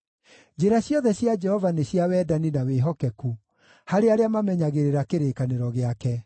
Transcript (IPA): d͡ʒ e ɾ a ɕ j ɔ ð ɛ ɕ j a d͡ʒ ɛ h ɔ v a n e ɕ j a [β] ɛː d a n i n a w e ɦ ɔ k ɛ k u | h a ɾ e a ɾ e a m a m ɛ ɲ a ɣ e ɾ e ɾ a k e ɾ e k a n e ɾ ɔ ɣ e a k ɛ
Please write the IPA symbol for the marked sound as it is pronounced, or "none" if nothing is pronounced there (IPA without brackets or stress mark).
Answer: w